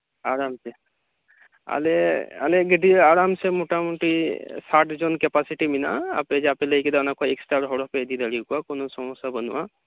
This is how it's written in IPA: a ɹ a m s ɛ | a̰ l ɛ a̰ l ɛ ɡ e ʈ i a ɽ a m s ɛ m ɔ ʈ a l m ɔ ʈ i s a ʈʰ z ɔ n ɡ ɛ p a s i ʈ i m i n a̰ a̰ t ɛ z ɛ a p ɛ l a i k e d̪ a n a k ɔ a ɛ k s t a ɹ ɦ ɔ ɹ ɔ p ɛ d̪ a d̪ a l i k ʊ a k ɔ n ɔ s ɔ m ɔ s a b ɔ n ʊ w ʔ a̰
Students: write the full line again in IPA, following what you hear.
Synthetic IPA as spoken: a ɹ a m s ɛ | a̰ l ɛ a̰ l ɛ ɡ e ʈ i a ɹ a m s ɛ m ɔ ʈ a m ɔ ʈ i s a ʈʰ z ɔ n k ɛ p a s i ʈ i m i n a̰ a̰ p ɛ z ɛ a p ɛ l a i k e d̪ a n a k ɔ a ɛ k s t a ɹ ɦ ɔ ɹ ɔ p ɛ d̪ i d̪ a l i k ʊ a k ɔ n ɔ s ɔ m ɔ s a b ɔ n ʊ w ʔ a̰